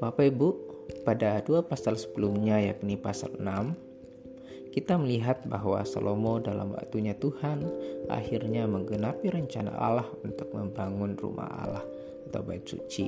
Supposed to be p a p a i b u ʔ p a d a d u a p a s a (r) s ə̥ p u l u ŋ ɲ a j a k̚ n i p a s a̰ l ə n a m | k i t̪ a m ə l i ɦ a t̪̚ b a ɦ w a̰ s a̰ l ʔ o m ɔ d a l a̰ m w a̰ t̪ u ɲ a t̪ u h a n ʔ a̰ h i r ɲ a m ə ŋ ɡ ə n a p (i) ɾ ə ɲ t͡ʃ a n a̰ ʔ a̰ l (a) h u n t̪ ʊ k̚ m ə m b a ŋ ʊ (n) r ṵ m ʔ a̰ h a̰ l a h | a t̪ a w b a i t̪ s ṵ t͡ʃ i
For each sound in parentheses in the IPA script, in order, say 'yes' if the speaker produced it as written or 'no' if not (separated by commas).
no, yes, yes, yes